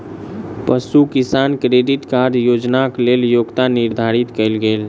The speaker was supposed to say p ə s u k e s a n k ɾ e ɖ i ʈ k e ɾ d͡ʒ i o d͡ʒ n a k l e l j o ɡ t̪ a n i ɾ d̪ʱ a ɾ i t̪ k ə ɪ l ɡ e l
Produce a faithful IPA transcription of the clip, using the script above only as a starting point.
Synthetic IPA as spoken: p ə s u k i s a n k ɾ e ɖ i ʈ k a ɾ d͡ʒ j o d͡ʒ n a k l e l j o ɡ t̪ a n i ɾ d̪ʱ a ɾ i t̪ k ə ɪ l ɡ e l